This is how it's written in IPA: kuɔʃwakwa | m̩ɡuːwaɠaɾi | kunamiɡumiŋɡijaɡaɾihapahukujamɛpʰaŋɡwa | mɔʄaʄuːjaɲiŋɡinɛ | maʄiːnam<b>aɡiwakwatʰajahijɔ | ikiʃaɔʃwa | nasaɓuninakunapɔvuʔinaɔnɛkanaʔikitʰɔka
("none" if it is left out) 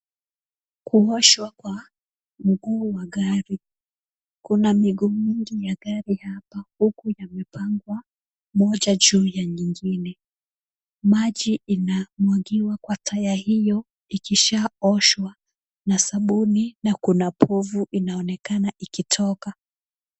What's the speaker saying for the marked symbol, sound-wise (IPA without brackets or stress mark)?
w